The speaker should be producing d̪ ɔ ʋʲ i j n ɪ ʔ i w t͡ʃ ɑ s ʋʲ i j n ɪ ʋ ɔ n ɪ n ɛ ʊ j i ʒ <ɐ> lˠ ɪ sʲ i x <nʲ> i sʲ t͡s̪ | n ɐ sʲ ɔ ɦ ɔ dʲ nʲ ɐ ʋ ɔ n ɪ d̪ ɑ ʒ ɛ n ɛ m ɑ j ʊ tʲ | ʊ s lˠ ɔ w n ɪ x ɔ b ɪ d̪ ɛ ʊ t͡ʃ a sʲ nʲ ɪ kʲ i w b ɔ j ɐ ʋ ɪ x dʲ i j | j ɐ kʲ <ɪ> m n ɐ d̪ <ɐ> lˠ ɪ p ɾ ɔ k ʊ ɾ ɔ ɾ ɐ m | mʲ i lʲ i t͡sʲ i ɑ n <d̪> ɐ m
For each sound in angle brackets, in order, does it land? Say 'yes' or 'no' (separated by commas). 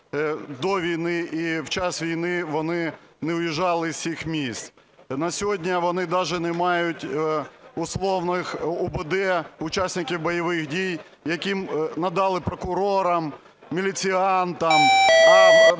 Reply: no, no, no, no, no